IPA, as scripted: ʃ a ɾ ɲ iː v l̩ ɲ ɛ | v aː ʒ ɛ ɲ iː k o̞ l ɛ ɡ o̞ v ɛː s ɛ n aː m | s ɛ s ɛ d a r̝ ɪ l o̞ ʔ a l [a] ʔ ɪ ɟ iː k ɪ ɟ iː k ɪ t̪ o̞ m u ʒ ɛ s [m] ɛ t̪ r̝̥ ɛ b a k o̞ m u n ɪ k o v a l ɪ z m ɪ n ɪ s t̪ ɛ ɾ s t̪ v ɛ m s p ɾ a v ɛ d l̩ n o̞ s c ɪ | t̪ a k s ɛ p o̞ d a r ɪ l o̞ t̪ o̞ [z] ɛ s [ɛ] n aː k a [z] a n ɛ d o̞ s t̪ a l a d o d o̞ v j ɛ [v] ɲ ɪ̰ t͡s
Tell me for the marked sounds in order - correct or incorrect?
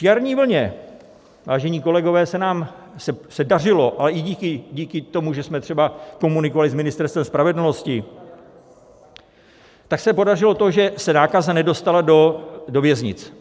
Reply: incorrect, correct, incorrect, correct, correct, incorrect

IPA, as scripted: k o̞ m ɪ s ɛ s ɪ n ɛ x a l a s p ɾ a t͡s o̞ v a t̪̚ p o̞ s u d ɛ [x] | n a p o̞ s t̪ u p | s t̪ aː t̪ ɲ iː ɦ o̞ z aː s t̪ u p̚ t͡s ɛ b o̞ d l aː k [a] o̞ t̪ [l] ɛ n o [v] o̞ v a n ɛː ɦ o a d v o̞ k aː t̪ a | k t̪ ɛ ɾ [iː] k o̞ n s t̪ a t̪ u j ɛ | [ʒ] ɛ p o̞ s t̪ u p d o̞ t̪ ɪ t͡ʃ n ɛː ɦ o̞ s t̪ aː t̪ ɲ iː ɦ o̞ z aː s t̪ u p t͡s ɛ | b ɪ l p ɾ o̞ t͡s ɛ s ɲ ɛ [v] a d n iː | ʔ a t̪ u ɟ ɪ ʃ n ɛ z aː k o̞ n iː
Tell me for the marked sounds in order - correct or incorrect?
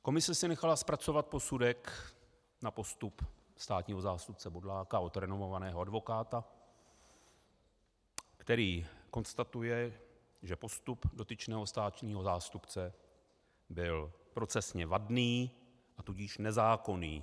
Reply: incorrect, correct, incorrect, correct, correct, correct, correct

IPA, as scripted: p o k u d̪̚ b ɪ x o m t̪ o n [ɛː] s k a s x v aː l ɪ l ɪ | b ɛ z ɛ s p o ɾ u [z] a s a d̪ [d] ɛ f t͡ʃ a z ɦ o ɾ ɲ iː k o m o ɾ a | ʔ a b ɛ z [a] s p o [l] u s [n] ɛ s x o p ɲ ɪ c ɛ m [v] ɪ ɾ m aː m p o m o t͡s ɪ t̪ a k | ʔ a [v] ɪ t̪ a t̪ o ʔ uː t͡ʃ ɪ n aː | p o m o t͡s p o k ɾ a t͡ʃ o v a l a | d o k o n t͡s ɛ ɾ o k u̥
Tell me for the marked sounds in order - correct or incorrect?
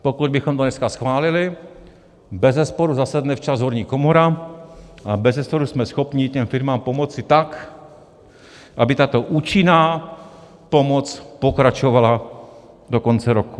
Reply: incorrect, correct, incorrect, incorrect, incorrect, incorrect, incorrect, incorrect

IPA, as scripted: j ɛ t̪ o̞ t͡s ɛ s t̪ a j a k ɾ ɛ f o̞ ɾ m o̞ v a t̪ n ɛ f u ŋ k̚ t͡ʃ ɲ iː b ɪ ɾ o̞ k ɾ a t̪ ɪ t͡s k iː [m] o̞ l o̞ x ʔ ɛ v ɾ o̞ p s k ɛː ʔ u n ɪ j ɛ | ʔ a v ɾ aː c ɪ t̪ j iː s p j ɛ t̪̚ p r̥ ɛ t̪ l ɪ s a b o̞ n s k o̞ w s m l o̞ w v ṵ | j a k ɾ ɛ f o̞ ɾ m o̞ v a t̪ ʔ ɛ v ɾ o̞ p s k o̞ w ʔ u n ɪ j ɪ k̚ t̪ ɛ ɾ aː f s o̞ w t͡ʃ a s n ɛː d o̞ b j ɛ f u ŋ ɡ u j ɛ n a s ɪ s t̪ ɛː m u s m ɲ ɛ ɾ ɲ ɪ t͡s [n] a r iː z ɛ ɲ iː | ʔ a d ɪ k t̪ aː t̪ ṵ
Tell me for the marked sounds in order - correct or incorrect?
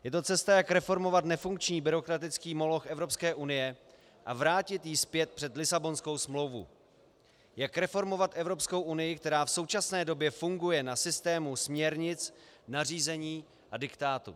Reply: correct, correct

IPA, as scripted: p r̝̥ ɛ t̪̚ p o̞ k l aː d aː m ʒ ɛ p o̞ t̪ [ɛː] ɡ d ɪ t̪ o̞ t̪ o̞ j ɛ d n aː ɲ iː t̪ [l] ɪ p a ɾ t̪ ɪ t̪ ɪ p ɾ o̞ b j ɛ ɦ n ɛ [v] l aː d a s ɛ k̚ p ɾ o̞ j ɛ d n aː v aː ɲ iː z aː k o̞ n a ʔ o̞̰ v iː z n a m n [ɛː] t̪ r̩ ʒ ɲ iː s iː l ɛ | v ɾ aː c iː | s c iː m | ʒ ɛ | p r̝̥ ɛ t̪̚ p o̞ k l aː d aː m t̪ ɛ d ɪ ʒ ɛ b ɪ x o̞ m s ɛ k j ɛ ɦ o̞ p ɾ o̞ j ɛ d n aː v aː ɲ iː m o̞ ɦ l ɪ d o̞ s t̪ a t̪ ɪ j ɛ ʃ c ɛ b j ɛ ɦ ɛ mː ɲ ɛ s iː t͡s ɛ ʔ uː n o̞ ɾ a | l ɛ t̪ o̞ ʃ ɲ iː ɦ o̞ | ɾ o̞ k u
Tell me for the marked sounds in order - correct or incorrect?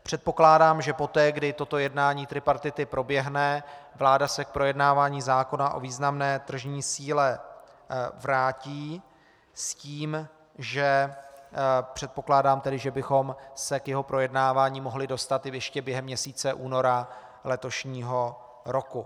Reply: correct, incorrect, correct, correct

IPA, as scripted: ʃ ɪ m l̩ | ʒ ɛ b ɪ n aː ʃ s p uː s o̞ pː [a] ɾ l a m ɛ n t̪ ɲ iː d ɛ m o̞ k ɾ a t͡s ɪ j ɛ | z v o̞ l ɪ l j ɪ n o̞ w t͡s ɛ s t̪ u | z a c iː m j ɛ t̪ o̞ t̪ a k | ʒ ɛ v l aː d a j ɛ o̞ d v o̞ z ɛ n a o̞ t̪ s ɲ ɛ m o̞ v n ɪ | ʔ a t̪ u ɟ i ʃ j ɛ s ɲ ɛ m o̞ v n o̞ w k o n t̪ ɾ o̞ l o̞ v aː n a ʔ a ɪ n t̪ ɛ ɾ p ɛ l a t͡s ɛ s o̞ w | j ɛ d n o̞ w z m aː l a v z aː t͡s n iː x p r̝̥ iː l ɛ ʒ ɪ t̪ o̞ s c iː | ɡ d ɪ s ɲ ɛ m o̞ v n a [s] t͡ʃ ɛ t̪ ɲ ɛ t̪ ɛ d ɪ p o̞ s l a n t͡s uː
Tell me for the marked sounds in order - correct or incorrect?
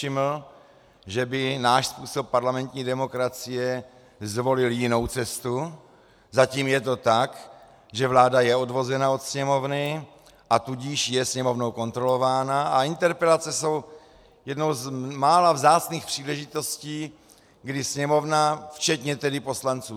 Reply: correct, incorrect

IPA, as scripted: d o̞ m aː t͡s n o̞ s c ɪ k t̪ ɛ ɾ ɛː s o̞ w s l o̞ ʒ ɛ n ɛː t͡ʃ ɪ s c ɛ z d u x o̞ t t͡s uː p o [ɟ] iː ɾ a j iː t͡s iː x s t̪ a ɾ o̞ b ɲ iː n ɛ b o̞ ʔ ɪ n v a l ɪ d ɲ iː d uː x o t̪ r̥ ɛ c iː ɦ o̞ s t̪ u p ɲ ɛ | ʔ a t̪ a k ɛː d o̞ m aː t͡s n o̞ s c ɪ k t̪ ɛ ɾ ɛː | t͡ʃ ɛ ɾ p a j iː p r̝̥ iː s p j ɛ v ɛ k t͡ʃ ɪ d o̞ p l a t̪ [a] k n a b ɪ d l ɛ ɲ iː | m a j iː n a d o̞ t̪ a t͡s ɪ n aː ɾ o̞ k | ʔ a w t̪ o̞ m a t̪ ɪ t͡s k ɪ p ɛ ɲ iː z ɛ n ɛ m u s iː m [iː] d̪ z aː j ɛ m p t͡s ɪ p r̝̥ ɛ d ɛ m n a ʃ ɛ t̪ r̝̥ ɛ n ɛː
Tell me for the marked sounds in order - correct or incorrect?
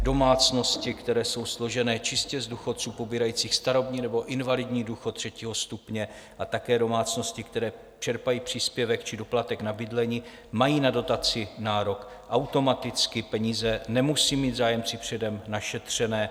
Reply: incorrect, incorrect, correct

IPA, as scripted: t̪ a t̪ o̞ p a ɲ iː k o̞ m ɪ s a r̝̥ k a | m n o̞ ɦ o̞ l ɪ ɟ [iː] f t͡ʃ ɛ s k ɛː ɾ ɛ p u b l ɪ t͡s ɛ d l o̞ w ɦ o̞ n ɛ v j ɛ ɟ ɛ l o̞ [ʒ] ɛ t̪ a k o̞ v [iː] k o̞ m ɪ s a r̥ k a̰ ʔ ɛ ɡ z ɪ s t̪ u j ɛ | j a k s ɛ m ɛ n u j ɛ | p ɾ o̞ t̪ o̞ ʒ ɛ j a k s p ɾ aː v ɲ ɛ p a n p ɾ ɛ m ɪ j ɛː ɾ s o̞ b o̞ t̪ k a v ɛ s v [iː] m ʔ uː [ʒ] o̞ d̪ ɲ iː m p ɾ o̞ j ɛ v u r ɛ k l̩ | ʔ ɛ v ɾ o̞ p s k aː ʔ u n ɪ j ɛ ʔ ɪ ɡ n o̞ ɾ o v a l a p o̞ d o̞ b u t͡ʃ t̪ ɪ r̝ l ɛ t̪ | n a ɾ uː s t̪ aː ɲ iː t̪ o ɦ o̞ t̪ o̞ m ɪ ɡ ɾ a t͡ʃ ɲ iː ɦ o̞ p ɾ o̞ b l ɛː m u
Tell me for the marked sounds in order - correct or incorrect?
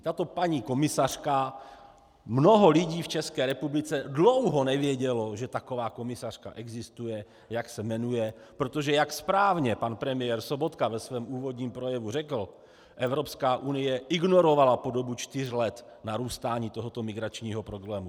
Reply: correct, correct, incorrect, incorrect, incorrect

